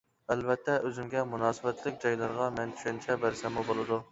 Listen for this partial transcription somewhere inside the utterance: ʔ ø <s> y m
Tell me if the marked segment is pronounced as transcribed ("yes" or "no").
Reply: no